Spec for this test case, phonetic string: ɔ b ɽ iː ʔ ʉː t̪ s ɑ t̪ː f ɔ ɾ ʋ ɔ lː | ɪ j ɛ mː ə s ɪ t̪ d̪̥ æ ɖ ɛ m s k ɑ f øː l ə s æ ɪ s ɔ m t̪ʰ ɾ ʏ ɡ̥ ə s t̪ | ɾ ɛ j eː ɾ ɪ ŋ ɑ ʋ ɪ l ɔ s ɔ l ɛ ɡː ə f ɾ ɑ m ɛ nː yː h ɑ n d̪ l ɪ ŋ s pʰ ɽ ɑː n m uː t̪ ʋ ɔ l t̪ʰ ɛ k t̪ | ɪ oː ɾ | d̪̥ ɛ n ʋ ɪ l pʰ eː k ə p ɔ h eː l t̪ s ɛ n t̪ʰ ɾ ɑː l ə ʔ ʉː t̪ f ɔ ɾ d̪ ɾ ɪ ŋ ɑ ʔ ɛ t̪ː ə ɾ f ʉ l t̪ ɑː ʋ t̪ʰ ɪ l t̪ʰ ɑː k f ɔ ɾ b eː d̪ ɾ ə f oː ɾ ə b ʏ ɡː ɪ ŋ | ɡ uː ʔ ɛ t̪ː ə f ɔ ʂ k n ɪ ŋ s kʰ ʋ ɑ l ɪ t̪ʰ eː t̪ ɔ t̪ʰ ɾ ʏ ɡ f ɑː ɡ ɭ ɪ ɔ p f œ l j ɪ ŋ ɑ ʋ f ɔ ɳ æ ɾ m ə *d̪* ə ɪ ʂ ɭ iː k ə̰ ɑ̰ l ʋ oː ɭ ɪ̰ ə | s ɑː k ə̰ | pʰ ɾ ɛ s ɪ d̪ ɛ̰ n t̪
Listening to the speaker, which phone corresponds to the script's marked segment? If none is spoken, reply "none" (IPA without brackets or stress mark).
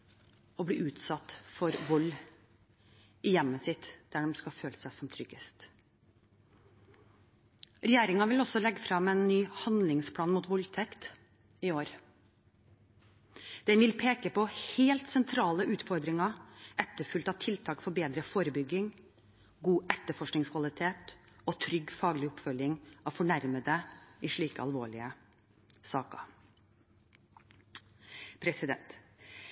d̪